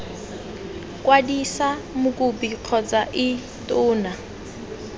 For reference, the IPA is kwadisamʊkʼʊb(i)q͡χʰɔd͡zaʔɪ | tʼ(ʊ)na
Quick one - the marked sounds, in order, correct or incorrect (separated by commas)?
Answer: correct, incorrect